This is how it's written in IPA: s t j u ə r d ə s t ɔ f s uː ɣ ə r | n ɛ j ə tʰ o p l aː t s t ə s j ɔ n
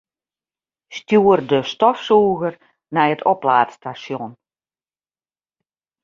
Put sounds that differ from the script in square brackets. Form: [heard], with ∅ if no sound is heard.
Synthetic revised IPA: s t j u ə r d ə s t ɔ f s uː ɣ ə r | n ɛ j ə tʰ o p l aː t s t [a] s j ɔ n